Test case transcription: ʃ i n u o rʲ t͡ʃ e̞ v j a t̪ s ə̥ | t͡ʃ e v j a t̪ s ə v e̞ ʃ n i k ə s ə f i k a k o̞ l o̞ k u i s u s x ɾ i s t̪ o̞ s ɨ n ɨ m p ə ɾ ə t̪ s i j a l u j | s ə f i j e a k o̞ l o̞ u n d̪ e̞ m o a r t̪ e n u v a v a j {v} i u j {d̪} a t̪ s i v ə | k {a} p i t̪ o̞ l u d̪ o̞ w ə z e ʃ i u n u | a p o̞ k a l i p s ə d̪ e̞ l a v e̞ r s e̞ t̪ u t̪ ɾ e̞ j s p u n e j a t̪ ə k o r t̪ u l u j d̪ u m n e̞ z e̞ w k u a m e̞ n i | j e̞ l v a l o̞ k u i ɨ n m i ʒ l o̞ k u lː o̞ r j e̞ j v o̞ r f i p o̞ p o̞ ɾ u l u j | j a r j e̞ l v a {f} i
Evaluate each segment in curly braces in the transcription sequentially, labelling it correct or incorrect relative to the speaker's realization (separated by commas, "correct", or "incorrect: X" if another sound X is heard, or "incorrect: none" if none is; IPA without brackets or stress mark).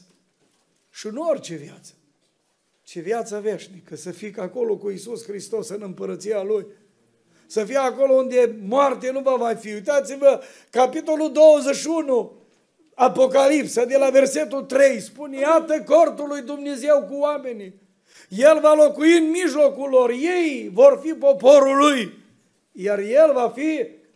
incorrect: f, incorrect: t̪, correct, correct